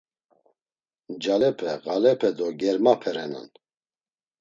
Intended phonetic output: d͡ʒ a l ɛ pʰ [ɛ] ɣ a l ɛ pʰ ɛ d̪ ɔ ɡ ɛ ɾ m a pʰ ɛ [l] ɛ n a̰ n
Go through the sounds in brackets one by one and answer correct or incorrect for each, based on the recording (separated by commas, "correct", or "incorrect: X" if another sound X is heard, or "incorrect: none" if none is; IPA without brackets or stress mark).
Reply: correct, incorrect: ɾ